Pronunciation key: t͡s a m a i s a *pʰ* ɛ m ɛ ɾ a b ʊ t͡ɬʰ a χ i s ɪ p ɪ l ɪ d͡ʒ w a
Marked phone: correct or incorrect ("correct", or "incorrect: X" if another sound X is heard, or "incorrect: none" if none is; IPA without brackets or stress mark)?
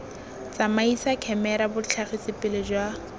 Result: incorrect: kʰ